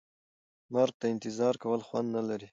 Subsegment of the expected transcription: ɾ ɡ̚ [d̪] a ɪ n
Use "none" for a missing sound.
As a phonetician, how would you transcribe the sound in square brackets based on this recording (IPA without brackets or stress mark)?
t̪